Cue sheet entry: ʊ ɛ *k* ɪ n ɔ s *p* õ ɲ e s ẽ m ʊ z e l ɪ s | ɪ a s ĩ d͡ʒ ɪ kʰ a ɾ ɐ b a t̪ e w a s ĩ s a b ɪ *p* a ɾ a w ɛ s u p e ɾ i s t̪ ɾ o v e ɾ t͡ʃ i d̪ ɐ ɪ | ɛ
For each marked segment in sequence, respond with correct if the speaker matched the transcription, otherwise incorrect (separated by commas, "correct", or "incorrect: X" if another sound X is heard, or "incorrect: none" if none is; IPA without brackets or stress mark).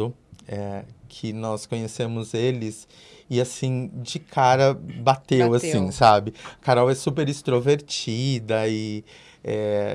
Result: incorrect: kʰ, incorrect: k, incorrect: k